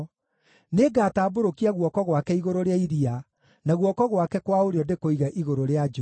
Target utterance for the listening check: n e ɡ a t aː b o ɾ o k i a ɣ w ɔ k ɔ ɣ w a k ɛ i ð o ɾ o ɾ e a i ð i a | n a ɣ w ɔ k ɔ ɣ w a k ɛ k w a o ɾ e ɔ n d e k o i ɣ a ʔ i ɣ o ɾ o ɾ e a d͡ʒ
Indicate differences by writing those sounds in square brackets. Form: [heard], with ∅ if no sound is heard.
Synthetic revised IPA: n e ɡ a t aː b o ɾ o k i a ɣ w ɔ k ɔ ɣ w a k ɛ i [ɣ] o ɾ o ɾ e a i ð i a | n a ɣ w ɔ k ɔ ɣ w a k ɛ k w a o ɾ e ɔ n d e k o i ɣ a ʔ i ɣ o ɾ o ɾ e a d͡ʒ